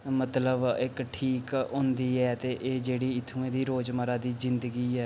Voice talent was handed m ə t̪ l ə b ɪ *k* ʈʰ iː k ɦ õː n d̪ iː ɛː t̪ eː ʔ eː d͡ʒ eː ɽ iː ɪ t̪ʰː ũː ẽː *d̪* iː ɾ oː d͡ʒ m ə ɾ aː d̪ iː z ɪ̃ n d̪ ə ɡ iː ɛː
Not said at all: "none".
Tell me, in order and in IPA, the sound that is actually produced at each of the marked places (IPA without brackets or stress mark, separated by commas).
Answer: k, d̪